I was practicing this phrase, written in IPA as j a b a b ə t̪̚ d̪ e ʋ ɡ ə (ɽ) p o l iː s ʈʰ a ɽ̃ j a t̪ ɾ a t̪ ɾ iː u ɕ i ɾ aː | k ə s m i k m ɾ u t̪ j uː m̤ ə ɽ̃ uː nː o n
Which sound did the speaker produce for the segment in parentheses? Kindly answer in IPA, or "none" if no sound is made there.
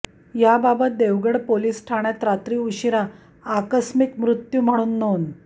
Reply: ɽ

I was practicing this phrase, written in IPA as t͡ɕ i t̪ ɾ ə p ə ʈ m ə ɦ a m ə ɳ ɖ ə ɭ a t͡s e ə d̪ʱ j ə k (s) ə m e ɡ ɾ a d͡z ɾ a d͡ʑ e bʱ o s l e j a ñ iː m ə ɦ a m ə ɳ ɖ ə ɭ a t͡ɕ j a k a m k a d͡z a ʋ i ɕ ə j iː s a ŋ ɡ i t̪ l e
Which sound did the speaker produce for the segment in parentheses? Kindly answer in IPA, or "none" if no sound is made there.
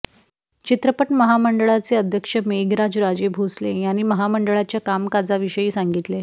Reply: ʂ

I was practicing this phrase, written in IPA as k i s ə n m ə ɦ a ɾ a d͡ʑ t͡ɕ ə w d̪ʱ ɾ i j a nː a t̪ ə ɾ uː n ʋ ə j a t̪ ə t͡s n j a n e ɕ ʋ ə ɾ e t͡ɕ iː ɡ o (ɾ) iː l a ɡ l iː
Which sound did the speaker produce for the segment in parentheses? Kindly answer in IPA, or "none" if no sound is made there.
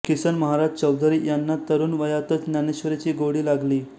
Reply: ɽ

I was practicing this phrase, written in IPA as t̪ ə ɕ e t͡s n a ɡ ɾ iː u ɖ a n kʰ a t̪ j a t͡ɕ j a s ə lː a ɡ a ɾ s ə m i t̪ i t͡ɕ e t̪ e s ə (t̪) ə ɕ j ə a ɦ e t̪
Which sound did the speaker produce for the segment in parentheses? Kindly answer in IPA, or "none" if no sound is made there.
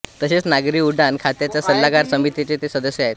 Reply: d̪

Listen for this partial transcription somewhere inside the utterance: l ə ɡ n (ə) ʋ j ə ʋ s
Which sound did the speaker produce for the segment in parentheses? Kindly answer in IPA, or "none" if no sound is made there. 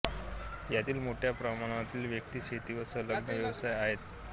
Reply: ə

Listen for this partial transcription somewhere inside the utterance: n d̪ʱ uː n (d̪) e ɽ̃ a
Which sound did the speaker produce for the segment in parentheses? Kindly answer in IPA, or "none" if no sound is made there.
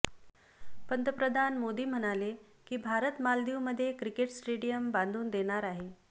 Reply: d̪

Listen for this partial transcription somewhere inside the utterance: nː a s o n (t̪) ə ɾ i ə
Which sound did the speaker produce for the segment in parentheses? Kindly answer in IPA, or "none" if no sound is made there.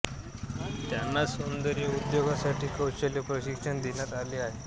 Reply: d̪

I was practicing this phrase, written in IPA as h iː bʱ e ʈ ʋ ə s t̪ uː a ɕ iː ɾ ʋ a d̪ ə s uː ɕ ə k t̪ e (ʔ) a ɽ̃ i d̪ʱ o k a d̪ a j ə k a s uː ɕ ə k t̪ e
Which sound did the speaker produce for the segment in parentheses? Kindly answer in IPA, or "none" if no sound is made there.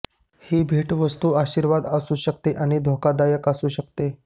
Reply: ʔ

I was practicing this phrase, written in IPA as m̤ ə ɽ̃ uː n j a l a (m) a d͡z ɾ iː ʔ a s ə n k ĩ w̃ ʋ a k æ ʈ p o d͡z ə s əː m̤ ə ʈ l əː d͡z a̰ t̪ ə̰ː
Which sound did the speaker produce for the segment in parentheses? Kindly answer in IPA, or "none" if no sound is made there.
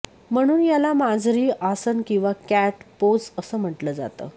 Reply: m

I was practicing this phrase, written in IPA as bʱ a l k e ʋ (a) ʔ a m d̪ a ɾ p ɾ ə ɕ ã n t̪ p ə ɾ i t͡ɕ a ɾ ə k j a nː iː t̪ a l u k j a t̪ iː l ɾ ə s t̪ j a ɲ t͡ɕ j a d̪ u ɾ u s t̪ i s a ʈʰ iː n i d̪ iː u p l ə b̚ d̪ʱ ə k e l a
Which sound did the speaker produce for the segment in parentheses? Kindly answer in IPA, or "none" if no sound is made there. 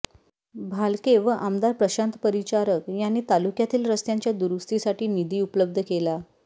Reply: ə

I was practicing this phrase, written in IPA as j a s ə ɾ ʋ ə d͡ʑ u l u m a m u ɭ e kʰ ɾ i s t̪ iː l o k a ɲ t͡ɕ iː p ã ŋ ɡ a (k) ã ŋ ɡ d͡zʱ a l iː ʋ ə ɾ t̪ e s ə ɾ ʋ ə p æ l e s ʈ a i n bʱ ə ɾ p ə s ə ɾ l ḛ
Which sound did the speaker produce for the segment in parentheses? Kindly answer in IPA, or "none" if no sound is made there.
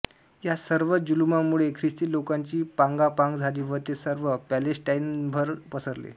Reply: p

